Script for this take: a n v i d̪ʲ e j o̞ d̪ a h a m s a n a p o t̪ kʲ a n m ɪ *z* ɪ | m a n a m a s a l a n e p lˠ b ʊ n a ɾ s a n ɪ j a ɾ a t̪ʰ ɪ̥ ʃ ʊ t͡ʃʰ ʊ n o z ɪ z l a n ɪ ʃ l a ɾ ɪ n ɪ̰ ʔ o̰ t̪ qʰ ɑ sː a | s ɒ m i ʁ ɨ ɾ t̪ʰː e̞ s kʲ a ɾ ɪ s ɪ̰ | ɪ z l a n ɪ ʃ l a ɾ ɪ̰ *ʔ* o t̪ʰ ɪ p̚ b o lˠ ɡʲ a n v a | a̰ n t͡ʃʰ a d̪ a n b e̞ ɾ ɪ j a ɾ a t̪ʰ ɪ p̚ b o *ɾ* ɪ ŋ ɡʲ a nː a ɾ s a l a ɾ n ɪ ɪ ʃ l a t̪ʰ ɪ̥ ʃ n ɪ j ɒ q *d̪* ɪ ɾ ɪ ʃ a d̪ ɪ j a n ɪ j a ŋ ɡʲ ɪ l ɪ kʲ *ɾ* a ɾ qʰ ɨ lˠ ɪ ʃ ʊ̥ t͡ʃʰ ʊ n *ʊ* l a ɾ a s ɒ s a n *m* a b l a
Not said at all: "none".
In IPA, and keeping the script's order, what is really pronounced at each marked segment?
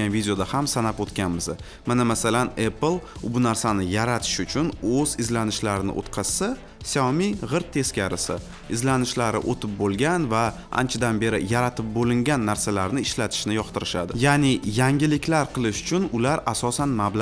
z, ʔ, l, t̪, l, ʊ, m

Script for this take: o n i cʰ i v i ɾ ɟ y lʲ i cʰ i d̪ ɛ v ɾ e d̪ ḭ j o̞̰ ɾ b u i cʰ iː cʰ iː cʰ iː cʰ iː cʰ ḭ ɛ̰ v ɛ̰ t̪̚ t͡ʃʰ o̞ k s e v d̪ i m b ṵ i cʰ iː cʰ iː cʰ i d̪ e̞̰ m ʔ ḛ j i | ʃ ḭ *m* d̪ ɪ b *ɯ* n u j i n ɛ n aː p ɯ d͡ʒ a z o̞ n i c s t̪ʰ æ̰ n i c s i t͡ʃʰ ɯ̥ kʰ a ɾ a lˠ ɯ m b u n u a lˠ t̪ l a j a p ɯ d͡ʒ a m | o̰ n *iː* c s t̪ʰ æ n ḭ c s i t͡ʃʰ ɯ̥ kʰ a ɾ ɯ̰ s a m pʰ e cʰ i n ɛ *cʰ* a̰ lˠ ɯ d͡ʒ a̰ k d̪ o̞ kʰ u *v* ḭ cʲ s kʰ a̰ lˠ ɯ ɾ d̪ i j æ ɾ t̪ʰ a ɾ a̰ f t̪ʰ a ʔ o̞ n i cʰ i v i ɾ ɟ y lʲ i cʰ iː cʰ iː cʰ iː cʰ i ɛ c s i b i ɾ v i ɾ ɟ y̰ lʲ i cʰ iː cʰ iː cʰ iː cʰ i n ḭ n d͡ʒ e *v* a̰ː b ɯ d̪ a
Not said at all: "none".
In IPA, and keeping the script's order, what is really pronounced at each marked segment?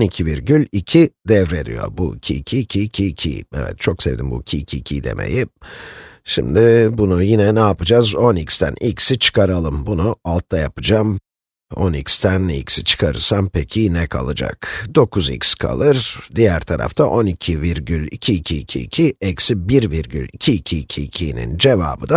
m, u, i, kʰ, z, v

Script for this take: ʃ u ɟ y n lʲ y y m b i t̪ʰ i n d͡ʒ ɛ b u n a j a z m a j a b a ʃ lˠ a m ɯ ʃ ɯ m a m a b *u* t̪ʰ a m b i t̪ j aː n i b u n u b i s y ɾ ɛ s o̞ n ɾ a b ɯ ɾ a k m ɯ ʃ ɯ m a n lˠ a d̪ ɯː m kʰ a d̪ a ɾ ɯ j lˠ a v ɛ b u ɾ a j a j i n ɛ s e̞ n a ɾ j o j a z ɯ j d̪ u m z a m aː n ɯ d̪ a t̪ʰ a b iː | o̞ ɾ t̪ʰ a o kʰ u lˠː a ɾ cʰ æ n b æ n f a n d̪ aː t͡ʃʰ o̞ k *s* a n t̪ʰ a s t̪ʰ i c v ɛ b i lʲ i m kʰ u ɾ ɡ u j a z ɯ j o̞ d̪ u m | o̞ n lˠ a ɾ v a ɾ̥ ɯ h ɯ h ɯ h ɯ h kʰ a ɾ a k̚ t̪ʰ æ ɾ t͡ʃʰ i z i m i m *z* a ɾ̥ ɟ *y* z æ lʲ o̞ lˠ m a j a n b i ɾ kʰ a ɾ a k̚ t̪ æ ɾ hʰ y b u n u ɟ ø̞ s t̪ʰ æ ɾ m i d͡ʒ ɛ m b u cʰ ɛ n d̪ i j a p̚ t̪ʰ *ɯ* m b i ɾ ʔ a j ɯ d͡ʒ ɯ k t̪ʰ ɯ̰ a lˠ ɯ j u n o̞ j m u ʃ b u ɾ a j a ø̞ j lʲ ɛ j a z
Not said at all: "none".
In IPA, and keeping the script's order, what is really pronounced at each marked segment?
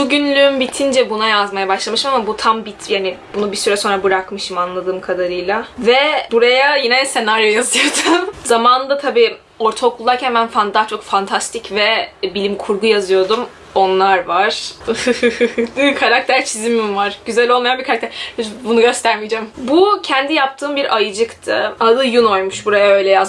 u, f, v, y, ɯː

